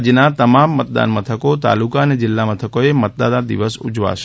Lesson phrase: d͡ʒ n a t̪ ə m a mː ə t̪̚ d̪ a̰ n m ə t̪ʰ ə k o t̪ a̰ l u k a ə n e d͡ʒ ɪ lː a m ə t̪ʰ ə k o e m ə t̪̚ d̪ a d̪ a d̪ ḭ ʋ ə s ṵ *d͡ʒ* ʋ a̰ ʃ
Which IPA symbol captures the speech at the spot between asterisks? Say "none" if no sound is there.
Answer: d͡ʒ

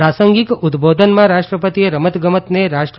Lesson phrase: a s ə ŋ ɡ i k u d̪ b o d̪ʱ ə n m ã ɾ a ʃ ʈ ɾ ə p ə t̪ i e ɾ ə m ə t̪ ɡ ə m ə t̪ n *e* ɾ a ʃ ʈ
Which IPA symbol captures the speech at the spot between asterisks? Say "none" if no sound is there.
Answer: e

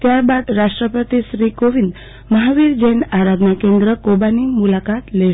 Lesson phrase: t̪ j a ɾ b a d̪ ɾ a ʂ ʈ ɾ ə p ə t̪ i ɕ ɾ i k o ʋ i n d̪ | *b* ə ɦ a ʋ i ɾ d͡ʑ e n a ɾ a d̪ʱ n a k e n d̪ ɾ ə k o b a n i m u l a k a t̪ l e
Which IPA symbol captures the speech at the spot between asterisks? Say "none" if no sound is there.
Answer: m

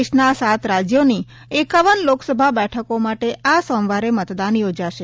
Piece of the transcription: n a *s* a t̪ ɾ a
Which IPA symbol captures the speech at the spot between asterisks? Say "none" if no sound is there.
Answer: s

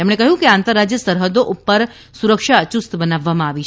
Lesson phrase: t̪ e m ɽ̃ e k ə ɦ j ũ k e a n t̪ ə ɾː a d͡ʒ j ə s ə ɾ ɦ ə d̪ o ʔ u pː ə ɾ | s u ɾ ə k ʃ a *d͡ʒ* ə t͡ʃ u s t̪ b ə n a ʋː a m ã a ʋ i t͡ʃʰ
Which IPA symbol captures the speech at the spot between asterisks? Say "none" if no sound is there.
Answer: none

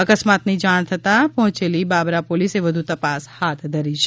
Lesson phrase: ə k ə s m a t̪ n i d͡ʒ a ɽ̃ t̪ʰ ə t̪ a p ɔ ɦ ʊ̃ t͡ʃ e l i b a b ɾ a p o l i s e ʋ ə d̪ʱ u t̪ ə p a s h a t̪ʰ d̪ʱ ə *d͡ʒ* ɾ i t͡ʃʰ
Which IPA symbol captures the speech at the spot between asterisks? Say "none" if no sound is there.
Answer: none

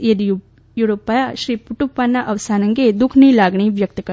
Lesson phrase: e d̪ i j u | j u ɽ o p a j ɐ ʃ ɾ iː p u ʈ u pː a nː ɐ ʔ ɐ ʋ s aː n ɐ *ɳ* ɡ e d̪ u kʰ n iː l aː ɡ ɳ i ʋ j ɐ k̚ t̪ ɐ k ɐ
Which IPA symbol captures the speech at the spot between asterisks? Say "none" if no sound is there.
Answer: ŋ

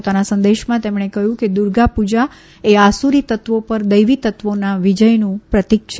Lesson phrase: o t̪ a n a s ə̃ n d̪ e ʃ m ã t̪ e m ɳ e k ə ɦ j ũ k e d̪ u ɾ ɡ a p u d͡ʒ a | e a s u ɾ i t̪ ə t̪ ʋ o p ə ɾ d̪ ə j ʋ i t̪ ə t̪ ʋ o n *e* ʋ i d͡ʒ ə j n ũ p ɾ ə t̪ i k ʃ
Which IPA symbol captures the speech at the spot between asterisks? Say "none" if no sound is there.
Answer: a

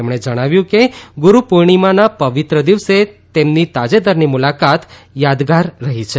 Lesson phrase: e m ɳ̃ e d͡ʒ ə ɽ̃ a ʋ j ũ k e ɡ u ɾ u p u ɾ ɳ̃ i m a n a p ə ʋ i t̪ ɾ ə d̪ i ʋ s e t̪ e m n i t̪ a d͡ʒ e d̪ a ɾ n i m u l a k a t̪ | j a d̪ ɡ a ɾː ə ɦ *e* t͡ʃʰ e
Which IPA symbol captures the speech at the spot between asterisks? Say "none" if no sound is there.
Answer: i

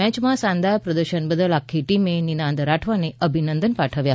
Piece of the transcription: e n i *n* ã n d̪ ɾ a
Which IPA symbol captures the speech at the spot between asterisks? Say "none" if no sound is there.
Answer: n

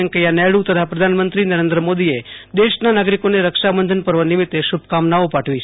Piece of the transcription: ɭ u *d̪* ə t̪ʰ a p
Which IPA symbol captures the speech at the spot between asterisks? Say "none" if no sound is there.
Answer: t̪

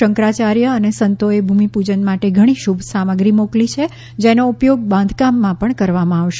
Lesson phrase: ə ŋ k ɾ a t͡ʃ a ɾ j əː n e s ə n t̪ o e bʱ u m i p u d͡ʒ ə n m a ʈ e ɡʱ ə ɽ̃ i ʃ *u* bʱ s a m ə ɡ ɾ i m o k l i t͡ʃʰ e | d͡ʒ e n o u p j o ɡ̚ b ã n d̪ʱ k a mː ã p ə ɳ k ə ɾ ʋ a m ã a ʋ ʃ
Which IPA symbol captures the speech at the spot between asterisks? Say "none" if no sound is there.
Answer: u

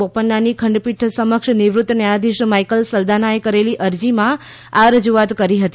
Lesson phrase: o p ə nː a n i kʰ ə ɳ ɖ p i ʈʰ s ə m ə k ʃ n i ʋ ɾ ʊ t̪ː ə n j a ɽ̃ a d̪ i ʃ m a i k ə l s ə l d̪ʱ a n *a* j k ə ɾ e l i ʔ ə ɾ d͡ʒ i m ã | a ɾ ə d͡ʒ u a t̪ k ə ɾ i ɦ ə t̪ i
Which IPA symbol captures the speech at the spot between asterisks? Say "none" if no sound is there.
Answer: a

